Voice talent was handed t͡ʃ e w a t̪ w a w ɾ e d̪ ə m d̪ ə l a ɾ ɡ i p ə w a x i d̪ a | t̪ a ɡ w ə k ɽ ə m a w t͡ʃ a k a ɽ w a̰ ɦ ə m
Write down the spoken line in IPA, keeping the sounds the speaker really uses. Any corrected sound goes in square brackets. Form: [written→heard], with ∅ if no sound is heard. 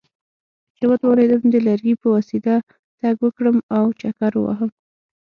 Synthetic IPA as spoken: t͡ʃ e w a t̪ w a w ɾ e d̪ ə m d̪ ə l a ɾ ɡ i p ə w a [x→s] i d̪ a | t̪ a ɡ w ə k ɽ ə m a w t͡ʃ a k a [ɽ→ɾ] w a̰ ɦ ə m